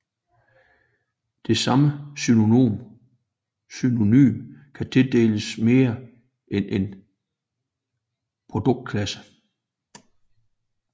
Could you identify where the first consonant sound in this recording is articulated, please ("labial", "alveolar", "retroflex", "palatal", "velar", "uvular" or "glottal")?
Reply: alveolar